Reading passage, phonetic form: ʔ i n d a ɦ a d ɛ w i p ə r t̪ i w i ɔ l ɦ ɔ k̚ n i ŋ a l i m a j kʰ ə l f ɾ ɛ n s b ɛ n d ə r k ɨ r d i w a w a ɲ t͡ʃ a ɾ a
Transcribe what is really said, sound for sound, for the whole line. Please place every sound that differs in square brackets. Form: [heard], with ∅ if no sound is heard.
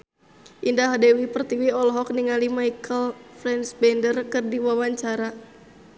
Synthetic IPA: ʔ i n d a ɦ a d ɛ w i p ə r t̪ i w i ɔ l ɦ ɔ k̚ n i ŋ a l i m a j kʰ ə l f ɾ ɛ n s b ɛ n d ə r k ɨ r d i w a w a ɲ t͡ʃ a ɾ a